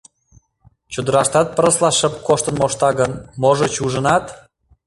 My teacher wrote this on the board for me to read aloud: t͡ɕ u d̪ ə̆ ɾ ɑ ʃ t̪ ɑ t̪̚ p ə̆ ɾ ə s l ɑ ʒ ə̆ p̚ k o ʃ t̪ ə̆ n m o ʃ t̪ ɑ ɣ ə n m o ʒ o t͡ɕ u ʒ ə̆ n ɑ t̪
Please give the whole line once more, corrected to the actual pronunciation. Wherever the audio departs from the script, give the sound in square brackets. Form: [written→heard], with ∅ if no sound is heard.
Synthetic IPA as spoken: t͡ɕ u d̪ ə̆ ɾ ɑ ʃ t̪ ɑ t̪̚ p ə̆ ɾ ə s l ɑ [ʒ→ʃ] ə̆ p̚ k o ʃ t̪ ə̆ n m o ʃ t̪ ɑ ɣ ə n m o ʒ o t͡ɕ u ʒ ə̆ n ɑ t̪